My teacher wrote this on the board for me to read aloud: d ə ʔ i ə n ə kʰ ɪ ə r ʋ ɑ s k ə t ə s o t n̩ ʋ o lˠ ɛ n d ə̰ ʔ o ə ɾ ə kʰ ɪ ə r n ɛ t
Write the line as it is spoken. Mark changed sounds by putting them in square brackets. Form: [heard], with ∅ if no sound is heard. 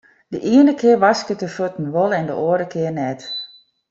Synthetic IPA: d ə ʔ i ə n ə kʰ ɪ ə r ʋ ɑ s k ə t ə [f] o t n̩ ʋ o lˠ ɛ n d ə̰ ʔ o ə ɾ ə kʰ ɪ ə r n ɛ t